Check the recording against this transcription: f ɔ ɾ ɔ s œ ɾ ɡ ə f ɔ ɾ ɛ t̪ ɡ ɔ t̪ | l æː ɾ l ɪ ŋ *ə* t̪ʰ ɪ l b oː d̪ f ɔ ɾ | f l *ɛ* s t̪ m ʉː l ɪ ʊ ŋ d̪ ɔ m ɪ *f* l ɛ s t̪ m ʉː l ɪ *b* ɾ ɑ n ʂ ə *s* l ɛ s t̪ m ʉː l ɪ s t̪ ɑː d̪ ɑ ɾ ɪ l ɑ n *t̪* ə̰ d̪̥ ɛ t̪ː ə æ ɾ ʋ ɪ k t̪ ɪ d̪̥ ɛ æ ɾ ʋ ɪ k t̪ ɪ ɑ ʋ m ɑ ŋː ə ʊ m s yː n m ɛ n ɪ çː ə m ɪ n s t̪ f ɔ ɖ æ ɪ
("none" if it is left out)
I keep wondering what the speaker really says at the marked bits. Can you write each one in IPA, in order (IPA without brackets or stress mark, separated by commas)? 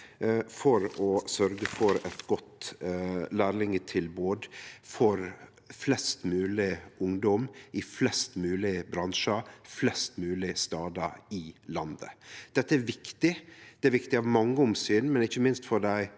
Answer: ə, ɛ, f, b, f, d̪